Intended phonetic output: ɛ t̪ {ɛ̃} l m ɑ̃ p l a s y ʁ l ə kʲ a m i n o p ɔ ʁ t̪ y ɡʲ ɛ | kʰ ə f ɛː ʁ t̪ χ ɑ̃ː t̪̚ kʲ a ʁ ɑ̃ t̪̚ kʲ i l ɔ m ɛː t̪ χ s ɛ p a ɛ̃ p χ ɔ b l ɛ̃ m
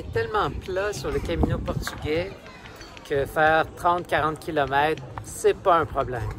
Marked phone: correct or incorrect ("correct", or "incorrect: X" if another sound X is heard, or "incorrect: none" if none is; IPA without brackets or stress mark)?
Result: incorrect: ɛ